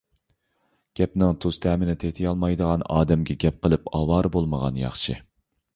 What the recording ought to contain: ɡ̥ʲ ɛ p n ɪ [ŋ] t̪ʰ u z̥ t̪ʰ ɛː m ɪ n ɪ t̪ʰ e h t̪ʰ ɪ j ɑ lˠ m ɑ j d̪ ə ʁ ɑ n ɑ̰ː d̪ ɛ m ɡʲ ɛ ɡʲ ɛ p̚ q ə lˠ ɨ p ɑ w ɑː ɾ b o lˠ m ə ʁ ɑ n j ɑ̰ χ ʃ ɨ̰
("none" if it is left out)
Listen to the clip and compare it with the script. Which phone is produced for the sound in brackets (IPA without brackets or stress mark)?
ŋ